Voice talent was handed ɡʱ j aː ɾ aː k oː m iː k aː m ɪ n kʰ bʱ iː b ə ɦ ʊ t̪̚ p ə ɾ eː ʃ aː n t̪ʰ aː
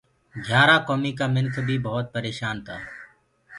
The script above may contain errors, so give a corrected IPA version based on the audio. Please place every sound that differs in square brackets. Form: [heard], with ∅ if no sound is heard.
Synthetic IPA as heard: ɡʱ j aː ɾ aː k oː m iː k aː m ɪ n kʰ bʱ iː b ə ɦ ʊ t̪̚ p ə ɾ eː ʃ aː n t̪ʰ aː